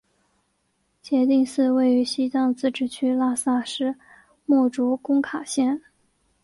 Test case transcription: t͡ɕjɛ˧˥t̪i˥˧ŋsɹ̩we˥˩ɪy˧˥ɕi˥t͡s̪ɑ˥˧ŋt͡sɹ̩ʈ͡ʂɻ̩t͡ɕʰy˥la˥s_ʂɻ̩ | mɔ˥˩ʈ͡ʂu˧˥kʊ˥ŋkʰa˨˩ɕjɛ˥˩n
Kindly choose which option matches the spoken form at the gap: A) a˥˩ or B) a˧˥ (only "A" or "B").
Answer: A